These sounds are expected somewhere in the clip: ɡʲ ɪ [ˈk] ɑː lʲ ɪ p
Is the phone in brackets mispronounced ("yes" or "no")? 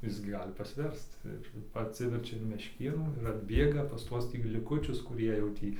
yes